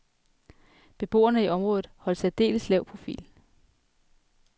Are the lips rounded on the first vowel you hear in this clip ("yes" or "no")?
no